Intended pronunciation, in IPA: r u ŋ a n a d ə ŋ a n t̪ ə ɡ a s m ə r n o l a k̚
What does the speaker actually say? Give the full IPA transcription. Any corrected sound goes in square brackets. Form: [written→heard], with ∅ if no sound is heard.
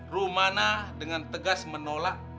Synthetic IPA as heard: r u [ŋ→m] a n a d ə ŋ a n t̪ ə ɡ a s m ə [r→∅] n o l a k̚